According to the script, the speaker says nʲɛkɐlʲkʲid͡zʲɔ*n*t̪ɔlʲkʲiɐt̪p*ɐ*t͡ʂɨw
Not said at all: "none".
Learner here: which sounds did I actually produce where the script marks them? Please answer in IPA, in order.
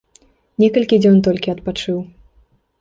n, a

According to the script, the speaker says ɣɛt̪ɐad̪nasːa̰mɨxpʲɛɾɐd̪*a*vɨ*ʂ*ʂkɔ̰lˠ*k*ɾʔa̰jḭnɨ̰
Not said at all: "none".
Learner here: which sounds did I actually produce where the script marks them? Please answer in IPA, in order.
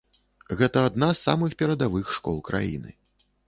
a, x, k

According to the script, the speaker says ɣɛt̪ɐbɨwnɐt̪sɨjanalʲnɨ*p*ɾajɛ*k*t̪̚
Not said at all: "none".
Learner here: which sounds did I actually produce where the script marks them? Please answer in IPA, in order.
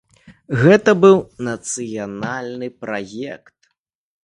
p, k

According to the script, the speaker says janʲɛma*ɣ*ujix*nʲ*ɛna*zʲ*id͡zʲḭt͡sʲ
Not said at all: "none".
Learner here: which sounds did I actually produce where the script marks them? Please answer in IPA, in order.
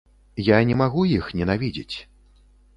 ɣ, nʲ, vʲ

